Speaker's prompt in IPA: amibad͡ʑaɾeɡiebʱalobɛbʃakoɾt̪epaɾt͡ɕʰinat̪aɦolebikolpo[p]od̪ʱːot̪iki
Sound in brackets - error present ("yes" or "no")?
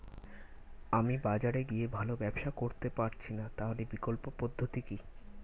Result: no